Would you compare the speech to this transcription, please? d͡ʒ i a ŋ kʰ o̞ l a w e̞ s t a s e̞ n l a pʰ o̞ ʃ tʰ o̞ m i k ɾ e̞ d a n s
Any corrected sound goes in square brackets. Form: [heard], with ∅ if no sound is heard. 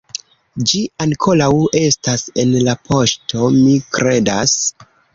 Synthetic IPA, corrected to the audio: d͡ʒ i a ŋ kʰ o̞ l a w e̞ s t a s e̞ n l a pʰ o̞ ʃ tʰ o̞ m i k ɾ e̞ d a [∅] s